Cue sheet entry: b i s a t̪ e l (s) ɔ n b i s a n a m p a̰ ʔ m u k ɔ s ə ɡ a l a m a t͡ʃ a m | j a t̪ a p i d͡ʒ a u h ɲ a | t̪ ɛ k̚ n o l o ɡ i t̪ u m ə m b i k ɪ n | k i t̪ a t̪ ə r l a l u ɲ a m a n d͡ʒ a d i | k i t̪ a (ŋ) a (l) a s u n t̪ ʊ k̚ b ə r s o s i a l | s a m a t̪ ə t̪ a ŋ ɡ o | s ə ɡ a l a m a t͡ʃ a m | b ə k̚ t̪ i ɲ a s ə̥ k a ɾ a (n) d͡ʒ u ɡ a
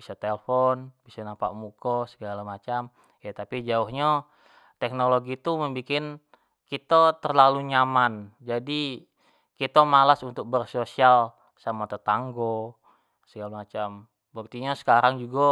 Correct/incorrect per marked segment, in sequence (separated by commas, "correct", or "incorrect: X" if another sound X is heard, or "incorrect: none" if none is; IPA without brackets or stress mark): incorrect: f, incorrect: m, correct, incorrect: ŋ